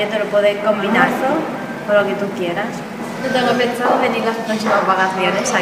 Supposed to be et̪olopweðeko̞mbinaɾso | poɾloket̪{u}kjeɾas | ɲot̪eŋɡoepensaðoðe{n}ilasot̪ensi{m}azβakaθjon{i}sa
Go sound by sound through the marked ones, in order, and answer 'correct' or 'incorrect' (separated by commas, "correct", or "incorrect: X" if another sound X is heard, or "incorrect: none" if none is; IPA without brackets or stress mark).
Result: correct, correct, correct, incorrect: e